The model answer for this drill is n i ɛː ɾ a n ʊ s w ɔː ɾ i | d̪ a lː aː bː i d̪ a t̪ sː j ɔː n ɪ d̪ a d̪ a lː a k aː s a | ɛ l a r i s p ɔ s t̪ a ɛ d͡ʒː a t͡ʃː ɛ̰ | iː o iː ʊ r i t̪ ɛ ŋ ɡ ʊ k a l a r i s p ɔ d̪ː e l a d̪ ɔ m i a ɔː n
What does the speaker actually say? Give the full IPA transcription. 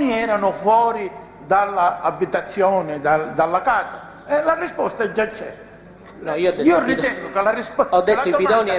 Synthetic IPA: n i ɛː ɾ a n ʊ f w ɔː ɾ i | d̪ a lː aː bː i t̪ a t̪ sː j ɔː n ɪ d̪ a d̪ a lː a k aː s a | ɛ l a r i s p ɔ s t̪ a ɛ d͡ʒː a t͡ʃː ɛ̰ | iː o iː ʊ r i t̪ ɛ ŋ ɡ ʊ k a l a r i s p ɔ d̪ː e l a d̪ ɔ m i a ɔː n

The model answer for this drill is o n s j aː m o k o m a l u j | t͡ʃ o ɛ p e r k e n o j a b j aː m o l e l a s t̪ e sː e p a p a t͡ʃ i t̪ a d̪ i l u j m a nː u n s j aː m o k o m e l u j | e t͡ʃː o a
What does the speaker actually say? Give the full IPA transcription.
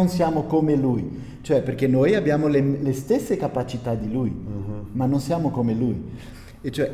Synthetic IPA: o n s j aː m o k o m e l u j | t͡ʃ o ɛ p e r k e n o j a b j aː m o l e l e s t̪ e sː e k a p a t͡ʃ i t̪ a d̪ i l u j m a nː o n s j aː m o k o m e l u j | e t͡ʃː o ɛ

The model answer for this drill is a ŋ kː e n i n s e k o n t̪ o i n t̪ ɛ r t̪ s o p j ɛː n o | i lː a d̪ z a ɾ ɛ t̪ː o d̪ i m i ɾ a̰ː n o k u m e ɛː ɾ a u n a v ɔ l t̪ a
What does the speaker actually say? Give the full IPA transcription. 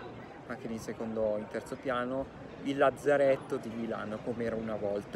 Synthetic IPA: a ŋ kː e n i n s e k o n d̪ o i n t̪ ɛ r t̪ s o p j aː n o | i lː a d̪ z a ɾ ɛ t̪ː o d̪ i m i l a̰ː n o k o m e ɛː ɾ a u n a v ɔ l t̪ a

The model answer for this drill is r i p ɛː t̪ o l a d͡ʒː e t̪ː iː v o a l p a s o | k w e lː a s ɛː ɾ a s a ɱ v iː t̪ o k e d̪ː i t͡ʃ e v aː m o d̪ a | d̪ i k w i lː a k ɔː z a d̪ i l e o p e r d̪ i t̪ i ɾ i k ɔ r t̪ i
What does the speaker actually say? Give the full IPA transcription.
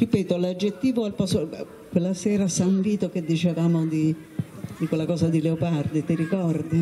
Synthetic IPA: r i p ɛː t̪ o l a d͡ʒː e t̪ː iː v o a l p a s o | k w e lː a s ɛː ɾ a s a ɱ v iː t̪ o k e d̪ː i t͡ʃ e v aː m o d̪ i | d̪ i k w e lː a k ɔː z a d̪ i l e o p a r d̪ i t̪ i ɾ i k ɔ r d̪ i

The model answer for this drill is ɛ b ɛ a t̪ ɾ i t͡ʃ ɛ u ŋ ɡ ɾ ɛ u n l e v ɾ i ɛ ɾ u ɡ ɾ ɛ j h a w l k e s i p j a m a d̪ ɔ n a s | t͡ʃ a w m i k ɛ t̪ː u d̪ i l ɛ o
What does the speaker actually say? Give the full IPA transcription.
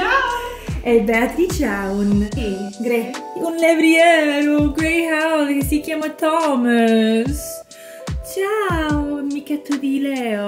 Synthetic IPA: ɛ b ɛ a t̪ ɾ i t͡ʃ a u n ɡ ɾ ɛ u n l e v ɾ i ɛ ɾ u ɡ ɾ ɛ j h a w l k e s i k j a m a t̪ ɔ m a s | t͡ʃ a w m i k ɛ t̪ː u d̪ i l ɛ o

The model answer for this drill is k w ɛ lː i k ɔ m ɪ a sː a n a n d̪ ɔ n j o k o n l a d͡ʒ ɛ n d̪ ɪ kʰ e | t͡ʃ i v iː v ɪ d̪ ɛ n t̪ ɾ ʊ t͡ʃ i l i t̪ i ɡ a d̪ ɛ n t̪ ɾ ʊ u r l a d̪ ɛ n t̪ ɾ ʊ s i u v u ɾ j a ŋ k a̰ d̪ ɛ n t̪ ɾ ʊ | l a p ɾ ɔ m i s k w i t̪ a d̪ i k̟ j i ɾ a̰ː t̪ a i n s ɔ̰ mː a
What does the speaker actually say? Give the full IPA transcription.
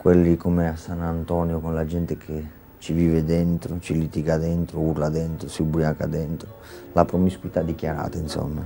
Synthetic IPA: k w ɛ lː i k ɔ m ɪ a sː a n a n t̪ ɔ n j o k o n l a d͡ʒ ɛ n t̪ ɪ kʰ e | t͡ʃ i v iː v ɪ d̪ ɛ n t̪ ɾ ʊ t͡ʃ i l i t̪ i ɡ a d̪ ɛ n t̪ ɾ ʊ u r l a d̪ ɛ n t̪ ɾ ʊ s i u b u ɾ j a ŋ k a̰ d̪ ɛ n t̪ ɾ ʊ | l a p ɾ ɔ m i s k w i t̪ a d̪ i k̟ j a ɾ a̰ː t̪ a i n s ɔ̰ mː a

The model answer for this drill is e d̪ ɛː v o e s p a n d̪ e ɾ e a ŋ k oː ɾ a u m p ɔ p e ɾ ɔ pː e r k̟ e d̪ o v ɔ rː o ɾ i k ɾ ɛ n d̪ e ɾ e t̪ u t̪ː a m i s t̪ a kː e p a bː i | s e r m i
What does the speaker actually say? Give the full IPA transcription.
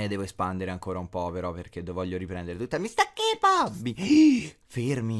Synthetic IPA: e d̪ ɛː v o e s p a n d̪ e ɾ e a ŋ k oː ɾ a u m p ɔ p e ɾ ɔ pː e r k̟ e d̪ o v ɔ ʎː o ɾ i p ɾ ɛ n d̪ e ɾ e t̪ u t̪ː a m i s t̪ a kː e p a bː i | f e r m i

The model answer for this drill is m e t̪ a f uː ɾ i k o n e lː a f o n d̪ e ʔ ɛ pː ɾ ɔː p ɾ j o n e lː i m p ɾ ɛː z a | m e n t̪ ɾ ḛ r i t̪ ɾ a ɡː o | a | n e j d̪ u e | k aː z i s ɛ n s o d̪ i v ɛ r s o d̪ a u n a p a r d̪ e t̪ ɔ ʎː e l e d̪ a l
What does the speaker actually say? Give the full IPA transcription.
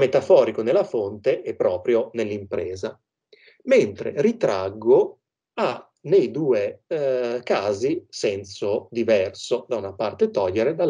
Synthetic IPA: m e t̪ a f ɔː ɾ i k o n e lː a f o n t̪ e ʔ ɛ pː ɾ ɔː p ɾ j o n e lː i m p ɾ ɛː z a | m e n t̪ ɾ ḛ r i t̪ ɾ a ɡː o | a | n e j d̪ uː e | k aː z i s ɛ n s o d̪ i v ɛ r s o d̪ a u n a p a r t̪ e t̪ ɔ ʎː e ɾ e d̪ a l

